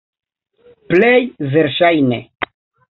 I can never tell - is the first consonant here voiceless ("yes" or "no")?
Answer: yes